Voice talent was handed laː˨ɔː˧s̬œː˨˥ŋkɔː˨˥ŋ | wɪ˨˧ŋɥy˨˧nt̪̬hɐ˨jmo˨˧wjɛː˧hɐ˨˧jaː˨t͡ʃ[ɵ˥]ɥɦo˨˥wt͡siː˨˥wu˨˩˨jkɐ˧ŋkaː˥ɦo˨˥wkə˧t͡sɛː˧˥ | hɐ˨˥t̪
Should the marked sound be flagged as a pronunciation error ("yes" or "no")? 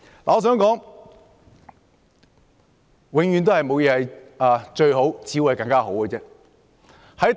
yes